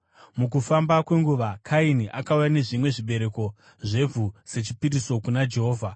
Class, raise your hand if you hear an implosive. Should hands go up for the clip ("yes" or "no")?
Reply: yes